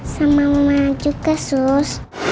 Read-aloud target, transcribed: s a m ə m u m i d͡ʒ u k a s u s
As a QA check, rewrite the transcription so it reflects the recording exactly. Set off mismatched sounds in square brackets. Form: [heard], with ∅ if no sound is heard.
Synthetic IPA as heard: s a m [a] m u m [a] d͡ʒ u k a s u s